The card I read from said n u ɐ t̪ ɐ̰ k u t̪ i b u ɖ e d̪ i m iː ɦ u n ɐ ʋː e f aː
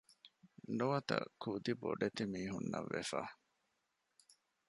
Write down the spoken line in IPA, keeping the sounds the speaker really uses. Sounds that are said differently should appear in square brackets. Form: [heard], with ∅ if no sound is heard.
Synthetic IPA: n u ɐ t̪ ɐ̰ k u [d̪] i b [o] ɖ e [t̪] i m iː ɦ u [nː] ɐ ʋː e f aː